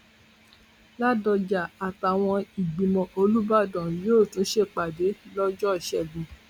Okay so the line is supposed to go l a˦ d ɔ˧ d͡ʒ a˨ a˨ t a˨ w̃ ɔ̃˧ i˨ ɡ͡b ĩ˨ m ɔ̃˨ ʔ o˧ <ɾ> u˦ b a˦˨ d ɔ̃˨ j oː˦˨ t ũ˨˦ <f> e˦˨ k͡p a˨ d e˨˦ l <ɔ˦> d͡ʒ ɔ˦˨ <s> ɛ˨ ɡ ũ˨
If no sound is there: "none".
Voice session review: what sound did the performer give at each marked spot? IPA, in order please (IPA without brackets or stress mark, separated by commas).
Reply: l, ʃ, ɔ˦, ʃ